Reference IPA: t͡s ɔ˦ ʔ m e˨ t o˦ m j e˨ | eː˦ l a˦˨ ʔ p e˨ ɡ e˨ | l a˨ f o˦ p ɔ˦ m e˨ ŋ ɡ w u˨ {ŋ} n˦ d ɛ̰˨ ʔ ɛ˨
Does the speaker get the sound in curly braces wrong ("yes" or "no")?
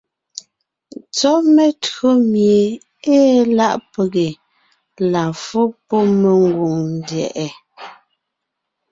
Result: no